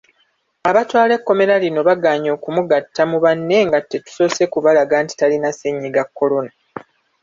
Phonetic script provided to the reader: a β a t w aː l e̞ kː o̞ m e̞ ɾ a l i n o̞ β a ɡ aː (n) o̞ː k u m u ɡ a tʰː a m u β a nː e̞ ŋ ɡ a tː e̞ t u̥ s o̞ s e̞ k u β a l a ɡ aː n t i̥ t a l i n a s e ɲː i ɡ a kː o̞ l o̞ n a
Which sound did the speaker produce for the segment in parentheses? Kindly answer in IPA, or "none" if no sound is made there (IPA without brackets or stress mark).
ɲ